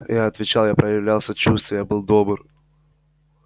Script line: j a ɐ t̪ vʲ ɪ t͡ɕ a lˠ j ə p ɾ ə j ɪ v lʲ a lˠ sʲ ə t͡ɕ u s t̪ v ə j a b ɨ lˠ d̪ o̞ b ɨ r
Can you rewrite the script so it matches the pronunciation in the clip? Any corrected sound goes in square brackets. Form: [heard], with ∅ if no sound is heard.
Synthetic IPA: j a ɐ t̪ vʲ ɪ t͡ɕ a lˠ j [a] p ɾ ə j ɪ v lʲ a lˠ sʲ ə t͡ɕ u s t̪ v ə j a b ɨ lˠ d̪ o̞ b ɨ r